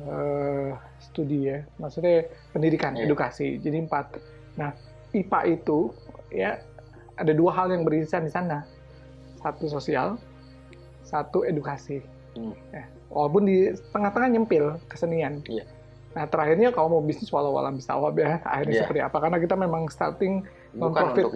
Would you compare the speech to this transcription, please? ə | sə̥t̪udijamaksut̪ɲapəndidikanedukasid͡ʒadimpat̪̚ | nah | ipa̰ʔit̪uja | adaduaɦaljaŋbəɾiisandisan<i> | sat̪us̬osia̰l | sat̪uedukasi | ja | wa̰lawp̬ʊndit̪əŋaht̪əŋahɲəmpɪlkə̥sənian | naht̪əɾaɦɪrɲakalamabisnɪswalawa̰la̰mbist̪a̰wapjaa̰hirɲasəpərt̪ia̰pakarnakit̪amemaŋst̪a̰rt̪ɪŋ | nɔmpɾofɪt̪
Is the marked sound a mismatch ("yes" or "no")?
yes